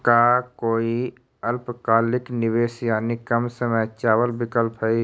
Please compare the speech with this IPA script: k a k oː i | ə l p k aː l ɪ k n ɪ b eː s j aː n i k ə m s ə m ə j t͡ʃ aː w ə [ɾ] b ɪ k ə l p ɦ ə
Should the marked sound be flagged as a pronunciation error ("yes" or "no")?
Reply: yes